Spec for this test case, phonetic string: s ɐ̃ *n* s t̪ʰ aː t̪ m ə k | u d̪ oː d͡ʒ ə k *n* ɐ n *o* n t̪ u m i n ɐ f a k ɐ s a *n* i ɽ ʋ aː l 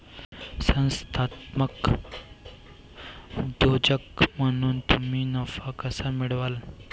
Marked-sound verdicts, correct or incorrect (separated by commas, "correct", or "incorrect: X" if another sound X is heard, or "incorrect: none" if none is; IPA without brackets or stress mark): correct, incorrect: m, incorrect: u, incorrect: m